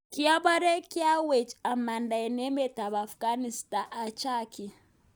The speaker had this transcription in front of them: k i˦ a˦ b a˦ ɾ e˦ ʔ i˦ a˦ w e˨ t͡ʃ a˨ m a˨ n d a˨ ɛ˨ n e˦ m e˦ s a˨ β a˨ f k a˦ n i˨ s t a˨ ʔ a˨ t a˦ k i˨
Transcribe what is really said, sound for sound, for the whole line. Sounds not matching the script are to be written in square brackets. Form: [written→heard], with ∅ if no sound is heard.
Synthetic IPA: k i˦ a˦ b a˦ ɾ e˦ [ʔ→k] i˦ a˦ w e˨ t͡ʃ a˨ m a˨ n d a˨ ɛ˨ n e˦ m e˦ [s→t] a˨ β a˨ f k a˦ n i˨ s t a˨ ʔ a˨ [t→t͡ʃ] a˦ k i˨

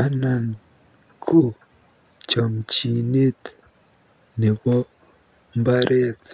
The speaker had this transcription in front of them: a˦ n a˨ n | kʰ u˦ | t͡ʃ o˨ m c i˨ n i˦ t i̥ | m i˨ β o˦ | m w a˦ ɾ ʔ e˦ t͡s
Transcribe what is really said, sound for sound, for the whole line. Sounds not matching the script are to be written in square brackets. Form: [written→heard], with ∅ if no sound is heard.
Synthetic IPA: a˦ n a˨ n | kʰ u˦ | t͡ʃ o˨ m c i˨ n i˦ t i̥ | [m→n] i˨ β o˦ | m [w→b] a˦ ɾ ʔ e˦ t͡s

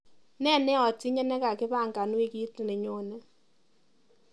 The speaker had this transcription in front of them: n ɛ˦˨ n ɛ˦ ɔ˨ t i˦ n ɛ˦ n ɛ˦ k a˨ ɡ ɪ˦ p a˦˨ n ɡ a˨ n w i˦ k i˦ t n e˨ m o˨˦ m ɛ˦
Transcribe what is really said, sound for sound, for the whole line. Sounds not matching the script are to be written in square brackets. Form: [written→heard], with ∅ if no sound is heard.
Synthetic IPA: n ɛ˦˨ n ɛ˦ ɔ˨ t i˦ [n→ɲ] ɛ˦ n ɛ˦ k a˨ [ɡ→k] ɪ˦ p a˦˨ [n→ŋ] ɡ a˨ n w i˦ k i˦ t n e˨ [m→ɲ] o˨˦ [m→n] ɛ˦

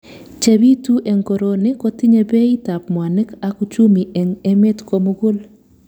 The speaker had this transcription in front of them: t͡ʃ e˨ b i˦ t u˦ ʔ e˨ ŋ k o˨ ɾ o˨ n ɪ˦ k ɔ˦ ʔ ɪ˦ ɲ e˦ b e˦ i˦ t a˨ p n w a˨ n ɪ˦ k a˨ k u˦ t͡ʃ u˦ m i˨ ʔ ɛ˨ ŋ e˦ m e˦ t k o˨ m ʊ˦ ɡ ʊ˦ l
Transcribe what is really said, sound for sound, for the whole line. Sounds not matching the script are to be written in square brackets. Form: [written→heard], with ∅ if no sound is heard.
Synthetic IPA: t͡ʃ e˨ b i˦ t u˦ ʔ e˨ ŋ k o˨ ɾ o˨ n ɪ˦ k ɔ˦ [ʔ→t] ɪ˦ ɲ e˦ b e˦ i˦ t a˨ p [n→m] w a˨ n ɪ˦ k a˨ k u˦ t͡ʃ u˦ m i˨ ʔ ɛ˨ ŋ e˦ m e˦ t k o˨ m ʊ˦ ɡ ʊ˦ l

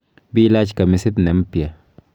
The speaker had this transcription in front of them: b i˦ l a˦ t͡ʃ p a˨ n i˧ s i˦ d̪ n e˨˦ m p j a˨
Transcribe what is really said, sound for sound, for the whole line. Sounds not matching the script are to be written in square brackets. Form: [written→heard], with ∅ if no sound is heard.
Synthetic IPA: b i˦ l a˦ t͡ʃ [p→k] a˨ [n→m] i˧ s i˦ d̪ n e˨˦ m p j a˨

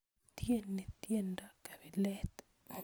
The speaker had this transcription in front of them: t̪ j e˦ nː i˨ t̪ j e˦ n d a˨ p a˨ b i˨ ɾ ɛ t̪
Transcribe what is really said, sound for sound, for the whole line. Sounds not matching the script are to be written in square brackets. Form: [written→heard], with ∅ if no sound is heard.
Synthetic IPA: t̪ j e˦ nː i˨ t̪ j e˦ n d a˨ [p→k] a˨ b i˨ [ɾ→l] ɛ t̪

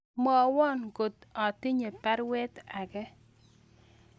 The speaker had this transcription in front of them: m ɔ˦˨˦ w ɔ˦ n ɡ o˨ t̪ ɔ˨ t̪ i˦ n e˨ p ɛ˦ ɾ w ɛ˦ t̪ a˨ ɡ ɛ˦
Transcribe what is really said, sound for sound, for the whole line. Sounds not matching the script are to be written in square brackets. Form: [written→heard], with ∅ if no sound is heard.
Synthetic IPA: m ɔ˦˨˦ w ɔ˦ n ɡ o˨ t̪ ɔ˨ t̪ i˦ [n→ɲ] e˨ p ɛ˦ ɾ w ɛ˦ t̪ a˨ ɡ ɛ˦

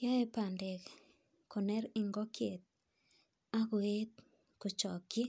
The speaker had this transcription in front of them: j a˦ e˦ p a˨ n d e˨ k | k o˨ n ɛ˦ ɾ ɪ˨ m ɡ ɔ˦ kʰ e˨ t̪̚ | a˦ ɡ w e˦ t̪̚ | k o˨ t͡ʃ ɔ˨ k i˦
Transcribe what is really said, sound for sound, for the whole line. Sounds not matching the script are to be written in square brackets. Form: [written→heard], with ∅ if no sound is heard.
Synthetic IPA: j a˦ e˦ p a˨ n d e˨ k | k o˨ n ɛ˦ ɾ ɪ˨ [m→ŋ] ɡ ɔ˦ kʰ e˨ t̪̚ | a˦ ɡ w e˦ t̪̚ | k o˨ t͡ʃ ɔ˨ k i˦

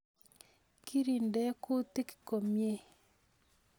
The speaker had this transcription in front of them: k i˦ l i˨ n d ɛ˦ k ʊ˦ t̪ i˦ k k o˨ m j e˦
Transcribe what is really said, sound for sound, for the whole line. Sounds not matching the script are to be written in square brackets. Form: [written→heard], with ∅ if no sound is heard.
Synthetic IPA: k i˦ [l→ɾ] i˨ n d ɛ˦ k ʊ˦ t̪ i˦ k k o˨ m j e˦

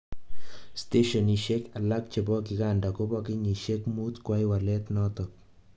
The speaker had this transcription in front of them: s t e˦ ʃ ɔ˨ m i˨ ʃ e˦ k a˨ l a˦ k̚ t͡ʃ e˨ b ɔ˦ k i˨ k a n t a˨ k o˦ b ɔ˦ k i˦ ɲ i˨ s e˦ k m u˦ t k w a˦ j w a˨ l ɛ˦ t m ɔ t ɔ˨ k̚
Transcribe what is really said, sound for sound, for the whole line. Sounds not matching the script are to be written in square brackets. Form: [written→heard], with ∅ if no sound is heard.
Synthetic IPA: s t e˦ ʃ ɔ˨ [m→n] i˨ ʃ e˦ k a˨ l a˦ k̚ t͡ʃ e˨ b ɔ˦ k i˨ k a n [t→d] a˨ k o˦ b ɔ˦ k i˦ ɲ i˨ [s→ʃ] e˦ k m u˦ t k w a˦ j w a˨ l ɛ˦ t [m→n] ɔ t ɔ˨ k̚

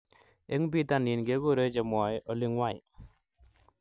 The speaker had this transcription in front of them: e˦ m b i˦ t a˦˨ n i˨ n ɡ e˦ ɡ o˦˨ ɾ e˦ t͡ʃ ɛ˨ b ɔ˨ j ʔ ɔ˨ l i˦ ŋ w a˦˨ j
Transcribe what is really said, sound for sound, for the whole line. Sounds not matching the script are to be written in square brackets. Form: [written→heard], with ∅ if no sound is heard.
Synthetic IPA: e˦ [m→ŋ] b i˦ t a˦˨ n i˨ n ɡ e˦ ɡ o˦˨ ɾ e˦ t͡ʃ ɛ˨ [b→m] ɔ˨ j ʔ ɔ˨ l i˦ ŋ w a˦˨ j

